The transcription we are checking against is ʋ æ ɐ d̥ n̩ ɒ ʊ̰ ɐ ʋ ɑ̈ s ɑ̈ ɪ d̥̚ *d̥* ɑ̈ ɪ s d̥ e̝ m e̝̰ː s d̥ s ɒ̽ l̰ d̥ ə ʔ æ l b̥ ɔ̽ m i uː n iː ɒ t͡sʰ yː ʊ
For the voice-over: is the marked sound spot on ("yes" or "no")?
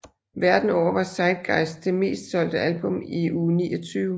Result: no